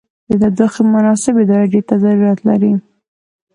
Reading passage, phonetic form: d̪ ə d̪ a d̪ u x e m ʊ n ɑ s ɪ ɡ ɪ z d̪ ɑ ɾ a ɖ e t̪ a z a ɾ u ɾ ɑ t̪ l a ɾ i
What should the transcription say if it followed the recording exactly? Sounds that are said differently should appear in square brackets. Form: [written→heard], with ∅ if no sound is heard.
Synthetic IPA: d̪ ə d̪ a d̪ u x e m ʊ n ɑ s ɪ [ɡ→b] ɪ [z→∅] d̪ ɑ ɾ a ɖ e t̪ a z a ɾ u ɾ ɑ t̪ l a ɾ i